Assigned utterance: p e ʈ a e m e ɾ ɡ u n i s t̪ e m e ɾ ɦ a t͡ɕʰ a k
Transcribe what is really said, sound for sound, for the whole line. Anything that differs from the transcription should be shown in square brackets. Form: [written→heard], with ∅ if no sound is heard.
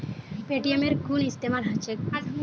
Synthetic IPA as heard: p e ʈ [a→i] e m e ɾ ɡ u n i s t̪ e m [e→a] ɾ ɦ a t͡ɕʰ [a→e] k